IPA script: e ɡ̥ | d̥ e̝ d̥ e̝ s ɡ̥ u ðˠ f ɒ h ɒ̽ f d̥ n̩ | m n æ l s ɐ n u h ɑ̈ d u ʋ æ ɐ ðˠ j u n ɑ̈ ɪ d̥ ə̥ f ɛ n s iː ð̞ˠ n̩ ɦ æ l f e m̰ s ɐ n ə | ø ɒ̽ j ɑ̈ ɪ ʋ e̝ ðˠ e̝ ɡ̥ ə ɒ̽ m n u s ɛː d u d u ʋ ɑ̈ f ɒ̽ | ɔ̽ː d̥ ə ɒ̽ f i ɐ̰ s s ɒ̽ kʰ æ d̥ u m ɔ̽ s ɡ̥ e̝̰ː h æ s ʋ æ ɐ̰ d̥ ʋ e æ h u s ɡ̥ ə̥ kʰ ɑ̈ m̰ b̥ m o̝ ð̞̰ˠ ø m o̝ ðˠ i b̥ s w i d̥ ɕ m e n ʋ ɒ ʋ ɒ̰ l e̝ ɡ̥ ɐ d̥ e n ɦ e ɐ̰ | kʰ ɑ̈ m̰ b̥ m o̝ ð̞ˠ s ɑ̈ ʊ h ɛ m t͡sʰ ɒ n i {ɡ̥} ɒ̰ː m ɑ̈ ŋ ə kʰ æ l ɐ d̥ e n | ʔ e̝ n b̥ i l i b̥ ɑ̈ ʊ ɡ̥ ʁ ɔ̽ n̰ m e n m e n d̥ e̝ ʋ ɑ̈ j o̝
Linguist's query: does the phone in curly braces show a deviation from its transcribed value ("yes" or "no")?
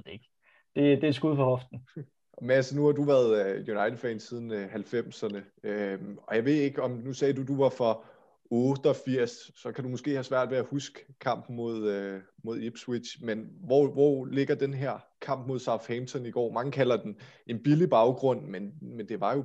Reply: no